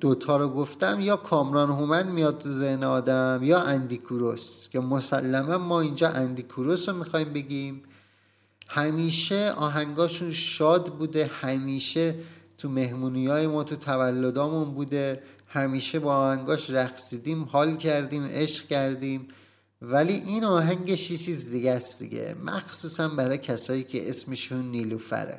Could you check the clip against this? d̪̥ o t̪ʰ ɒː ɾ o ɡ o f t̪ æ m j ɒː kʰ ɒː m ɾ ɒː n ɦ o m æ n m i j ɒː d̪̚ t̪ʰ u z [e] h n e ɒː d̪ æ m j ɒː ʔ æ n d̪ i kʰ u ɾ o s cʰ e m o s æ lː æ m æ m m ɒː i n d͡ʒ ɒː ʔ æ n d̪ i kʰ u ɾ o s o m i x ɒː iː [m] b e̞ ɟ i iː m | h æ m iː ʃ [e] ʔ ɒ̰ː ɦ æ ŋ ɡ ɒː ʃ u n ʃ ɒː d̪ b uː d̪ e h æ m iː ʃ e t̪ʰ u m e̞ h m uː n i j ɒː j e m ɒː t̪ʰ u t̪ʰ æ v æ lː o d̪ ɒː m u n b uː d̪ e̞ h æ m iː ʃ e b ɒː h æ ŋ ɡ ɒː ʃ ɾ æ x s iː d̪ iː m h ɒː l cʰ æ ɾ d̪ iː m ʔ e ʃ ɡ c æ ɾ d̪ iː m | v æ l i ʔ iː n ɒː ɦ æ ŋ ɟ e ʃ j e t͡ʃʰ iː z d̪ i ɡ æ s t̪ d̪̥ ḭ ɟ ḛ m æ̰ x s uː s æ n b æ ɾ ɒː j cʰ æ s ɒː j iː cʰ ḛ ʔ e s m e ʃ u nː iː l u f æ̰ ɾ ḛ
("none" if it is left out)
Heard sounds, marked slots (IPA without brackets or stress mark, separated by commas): e, m, e